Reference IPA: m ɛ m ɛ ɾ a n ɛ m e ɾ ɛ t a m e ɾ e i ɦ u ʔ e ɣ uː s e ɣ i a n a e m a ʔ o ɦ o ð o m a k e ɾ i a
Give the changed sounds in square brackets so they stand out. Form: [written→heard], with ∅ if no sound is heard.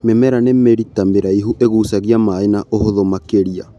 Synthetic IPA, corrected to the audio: m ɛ m ɛ ɾ a n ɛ m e ɾ [ɛ→i] t a m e ɾ [e→a] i ɦ u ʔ e ɣ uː s [e→a] ɣ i a [n→m] a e [m→n] a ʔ o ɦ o ð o m a k e ɾ i a